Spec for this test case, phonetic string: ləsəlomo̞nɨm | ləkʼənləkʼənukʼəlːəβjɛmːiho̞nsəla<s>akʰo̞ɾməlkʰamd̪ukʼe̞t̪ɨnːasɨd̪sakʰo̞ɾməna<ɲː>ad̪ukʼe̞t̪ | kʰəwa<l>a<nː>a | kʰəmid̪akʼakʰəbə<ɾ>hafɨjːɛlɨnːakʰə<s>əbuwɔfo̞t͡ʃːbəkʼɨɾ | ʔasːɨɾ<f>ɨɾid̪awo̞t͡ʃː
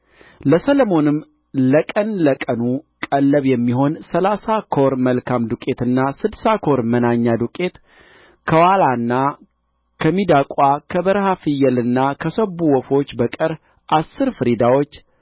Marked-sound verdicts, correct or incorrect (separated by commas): correct, correct, correct, correct, correct, correct, correct